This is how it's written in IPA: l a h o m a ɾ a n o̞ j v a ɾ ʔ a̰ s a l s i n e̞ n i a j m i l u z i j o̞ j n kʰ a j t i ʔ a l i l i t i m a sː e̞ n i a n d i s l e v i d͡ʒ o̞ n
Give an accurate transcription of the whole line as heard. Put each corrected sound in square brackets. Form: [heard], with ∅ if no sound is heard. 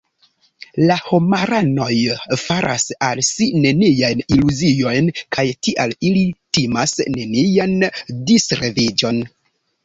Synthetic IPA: l a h o m a ɾ a n o̞ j [f] a ɾ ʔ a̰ s a l s i n e̞ n i a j [n] i l u z i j o̞ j n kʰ a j t i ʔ a l i l i t i m a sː e̞ n i a n d i s [ɾ] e v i d͡ʒ o̞ n